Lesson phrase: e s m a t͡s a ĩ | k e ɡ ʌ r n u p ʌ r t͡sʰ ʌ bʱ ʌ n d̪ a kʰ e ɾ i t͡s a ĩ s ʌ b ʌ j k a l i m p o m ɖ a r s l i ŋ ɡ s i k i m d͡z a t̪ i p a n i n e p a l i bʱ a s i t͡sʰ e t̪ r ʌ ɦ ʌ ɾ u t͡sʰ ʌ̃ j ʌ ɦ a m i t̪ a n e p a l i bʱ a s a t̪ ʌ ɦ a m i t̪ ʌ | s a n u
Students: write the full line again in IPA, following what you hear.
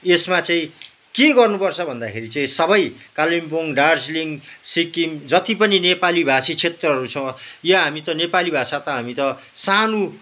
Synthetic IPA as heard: e s m a t͡s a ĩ | k e ɡ ʌ r n u p ʌ r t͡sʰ ʌ bʱ ʌ n d̪ a kʰ e ɾ i t͡s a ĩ s ʌ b ʌ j k a l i m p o ŋ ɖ a r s l i ŋ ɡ s i k i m d͡z ʌ t̪ i p ʌ n i n e p a l i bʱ a s i t͡sʰ e t̪ r ʌ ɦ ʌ ɾ u t͡sʰ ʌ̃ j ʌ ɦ a m i t̪ ʌ n e p a l i bʱ a s a t̪ ʌ ɦ a m i t̪ ʌ | s a n u